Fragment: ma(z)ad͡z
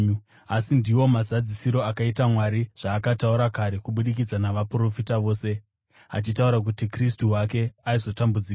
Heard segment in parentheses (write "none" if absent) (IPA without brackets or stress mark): z